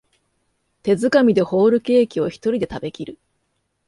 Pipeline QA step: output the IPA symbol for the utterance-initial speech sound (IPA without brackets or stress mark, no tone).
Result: t̪